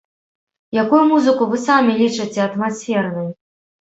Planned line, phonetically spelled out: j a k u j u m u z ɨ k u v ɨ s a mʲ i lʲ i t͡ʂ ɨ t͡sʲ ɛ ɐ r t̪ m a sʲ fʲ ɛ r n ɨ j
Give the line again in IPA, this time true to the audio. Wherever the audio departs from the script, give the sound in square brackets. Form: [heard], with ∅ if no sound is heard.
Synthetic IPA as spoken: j a k u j u m u z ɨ k u v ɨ s a mʲ i lʲ i t͡ʂ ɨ t͡sʲ ɛ ɐ [∅] t̪ m a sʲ fʲ ɛ r n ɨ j